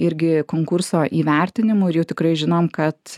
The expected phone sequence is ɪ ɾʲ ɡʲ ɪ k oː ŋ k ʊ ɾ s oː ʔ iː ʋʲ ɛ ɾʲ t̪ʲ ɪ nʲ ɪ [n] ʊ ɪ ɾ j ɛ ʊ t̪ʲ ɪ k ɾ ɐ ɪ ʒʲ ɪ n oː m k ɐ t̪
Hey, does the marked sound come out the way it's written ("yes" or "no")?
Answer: no